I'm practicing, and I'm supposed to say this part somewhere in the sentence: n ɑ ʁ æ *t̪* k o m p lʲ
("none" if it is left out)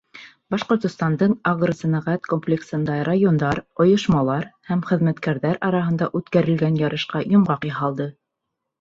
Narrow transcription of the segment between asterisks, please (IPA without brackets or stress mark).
t̪